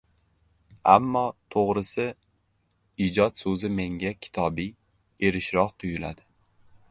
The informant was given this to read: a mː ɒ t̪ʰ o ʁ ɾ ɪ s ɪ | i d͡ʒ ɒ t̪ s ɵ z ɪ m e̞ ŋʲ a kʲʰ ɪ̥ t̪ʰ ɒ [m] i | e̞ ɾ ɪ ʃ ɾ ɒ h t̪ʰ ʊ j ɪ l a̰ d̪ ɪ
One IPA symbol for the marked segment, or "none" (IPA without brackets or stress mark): b